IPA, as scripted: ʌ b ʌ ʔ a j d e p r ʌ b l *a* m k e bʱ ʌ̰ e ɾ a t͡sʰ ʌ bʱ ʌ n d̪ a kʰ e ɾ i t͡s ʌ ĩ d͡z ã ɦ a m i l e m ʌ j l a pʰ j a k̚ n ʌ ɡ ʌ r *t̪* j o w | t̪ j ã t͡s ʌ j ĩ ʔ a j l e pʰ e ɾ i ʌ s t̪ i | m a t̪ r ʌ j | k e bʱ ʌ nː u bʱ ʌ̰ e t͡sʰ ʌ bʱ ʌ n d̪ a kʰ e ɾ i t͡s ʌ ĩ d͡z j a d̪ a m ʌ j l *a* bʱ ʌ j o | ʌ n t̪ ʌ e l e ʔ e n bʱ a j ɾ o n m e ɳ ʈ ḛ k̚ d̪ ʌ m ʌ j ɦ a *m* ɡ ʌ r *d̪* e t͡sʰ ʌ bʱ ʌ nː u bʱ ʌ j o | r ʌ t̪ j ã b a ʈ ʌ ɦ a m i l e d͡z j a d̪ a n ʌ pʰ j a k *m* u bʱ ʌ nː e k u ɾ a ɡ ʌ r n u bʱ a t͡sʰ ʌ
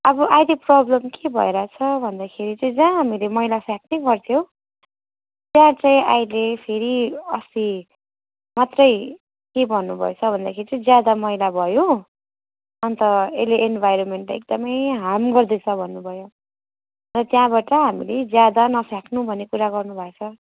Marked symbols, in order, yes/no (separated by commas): no, no, yes, yes, yes, no